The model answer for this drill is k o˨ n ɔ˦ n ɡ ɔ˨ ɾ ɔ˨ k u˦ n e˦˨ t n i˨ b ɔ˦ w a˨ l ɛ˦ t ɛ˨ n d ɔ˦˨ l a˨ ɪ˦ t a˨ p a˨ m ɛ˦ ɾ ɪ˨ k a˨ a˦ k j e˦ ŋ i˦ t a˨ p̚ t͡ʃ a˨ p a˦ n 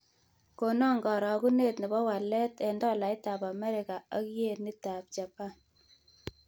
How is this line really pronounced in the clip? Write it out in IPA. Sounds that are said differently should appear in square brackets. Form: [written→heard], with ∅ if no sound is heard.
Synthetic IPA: k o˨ n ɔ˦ [n→ŋ] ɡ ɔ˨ ɾ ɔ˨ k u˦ n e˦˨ t n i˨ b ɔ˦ w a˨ l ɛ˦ t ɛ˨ n d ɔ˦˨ l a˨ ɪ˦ t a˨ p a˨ m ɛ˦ ɾ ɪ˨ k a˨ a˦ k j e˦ [ŋ→n] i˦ t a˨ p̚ t͡ʃ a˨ p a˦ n